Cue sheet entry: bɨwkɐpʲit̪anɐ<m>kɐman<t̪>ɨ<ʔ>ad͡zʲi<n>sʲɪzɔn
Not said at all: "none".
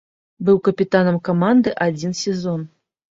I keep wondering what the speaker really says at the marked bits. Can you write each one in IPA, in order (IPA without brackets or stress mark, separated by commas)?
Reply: m, d̪, ʔ, n